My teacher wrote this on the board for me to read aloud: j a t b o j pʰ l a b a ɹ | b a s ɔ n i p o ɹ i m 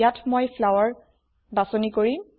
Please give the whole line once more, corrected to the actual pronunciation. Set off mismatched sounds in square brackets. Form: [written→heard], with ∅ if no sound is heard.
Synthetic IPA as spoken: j a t [b→m] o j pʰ l a [b→w] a ɹ | b a s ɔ n i [p→k] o ɹ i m